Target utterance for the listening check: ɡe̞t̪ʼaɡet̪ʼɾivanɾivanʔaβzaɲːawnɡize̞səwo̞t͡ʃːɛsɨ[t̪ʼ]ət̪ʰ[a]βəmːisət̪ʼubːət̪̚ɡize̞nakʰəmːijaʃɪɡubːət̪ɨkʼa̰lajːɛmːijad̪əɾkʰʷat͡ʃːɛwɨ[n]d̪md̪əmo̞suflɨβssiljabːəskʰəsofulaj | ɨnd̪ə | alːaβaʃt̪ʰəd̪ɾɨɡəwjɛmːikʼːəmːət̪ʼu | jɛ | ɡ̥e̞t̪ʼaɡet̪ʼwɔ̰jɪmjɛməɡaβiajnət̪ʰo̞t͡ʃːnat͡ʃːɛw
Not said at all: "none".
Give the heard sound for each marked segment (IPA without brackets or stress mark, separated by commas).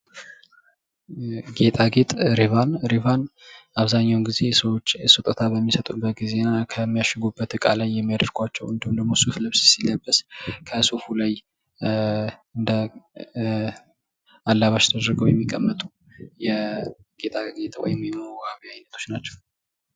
t̪ʼ, a, n